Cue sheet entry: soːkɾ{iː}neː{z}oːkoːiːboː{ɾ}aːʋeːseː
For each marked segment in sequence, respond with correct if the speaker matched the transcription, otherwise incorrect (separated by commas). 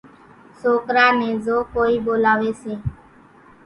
incorrect, correct, incorrect